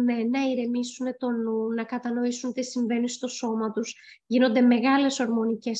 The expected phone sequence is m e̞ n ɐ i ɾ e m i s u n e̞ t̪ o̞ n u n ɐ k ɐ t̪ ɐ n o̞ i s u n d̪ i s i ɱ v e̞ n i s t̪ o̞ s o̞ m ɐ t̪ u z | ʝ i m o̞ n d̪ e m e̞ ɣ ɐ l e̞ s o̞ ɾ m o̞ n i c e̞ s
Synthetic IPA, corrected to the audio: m e̞ n ɐ i ɾ e m i s u n e̞ t̪ o̞ n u n ɐ k ɐ t̪ ɐ n o̞ i s u n t̪ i s i ɱ v e̞ n i s t̪ o̞ s o̞ m ɐ t̪ u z | ʝ i n o̞ n d̪ e m e̞ ɣ ɐ l e̞ s o̞ ɾ m o̞ n i c e̞ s